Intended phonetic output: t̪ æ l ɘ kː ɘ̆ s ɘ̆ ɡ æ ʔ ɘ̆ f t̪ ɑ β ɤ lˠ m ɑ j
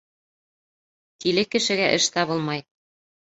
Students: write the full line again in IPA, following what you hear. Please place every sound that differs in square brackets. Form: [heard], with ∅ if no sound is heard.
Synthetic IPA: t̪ [i] l ɘ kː ɘ̆ [ʃ] ɘ̆ ɡ æ ʔ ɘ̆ [ʃ] t̪ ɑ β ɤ lˠ m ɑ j